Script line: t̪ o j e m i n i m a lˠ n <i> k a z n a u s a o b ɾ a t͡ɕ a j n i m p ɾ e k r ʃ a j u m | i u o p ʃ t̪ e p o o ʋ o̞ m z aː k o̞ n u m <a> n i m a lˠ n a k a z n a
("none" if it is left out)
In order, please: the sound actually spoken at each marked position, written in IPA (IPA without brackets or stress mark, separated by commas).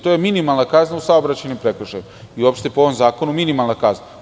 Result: a, i